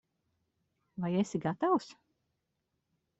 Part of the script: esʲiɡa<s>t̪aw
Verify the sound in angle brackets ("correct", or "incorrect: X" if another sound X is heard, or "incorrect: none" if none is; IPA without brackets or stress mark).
incorrect: none